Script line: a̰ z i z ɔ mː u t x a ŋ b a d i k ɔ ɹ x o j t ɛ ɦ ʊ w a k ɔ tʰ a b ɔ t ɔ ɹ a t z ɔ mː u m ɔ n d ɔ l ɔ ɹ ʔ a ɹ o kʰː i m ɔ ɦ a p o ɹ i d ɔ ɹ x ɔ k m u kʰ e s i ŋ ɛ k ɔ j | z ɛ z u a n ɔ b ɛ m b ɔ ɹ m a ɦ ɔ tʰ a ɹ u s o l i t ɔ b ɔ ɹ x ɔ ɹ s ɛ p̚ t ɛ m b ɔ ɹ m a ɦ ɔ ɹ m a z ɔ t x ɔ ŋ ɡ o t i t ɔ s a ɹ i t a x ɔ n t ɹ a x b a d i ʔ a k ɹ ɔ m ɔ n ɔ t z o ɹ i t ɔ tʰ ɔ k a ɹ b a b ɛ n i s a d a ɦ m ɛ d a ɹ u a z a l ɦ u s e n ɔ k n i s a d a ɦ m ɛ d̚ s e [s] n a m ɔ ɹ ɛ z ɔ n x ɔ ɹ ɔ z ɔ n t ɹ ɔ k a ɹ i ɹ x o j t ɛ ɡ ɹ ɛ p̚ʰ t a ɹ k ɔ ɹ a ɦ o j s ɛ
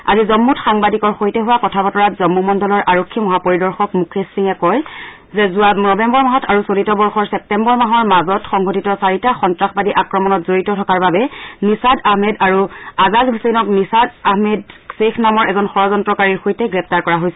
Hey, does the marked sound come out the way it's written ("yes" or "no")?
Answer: no